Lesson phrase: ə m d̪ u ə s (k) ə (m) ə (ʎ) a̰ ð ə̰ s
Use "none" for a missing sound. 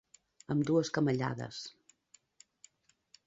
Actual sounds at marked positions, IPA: k, m, ʎ

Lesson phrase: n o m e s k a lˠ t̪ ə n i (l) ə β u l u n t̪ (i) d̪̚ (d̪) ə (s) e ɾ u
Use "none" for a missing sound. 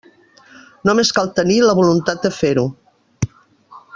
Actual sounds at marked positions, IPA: l, a, d̪, f

